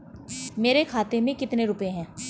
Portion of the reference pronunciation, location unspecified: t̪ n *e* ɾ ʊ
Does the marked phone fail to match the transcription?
no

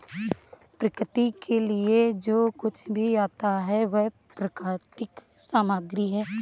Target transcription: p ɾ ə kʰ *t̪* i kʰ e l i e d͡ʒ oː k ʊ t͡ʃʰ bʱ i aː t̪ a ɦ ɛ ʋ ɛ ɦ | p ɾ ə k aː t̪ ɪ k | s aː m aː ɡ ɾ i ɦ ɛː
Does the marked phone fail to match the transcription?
no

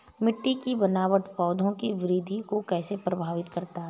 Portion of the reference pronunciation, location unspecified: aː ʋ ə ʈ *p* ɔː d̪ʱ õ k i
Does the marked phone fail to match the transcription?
no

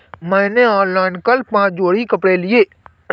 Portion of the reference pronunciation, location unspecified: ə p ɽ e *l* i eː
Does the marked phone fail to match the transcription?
no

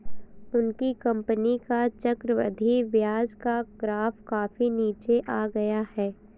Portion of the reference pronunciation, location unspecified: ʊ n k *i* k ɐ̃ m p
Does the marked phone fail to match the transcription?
no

